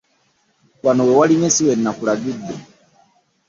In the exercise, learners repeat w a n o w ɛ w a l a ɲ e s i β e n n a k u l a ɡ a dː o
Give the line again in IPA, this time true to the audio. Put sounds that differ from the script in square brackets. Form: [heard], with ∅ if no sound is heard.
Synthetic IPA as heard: w a n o w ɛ w a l [i] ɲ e s i [w] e n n a k u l a ɡ [i] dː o